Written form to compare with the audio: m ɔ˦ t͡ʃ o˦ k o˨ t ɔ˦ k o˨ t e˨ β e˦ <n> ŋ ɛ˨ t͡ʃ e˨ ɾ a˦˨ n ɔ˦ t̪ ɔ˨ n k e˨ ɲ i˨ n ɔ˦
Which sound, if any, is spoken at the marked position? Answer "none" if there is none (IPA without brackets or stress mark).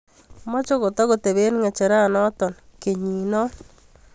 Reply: n